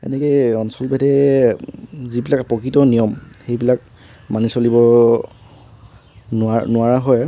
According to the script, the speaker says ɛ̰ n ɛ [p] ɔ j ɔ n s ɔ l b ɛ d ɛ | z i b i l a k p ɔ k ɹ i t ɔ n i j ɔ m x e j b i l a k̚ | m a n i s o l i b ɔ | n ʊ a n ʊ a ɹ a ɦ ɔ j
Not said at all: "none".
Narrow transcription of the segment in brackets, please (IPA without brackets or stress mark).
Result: k